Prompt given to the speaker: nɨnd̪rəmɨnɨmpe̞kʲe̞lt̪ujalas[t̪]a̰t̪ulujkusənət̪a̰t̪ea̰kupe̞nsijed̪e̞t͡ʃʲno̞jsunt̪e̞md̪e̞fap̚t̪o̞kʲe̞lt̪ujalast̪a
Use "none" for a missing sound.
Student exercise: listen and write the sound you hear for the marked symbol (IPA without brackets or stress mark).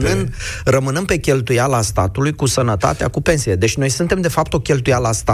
t̪